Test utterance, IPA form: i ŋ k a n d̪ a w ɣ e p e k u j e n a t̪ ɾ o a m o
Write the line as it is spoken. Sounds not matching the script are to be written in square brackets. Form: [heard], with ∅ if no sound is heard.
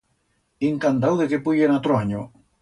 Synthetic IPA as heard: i ŋ k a n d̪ a w [ð] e [k] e [p] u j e n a t̪ ɾ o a [ɲ] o